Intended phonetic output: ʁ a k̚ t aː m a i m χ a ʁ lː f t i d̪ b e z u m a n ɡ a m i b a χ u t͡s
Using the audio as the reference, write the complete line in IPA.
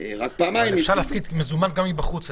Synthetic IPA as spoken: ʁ a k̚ p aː m a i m ʃ a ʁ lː f k i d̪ m e z u m a n ɡ a m i b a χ u t͡s